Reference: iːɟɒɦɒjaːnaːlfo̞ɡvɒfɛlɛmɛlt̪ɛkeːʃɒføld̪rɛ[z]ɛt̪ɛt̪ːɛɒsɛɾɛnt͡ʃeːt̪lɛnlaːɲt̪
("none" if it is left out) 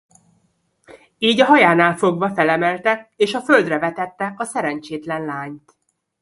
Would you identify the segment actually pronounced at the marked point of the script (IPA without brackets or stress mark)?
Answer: v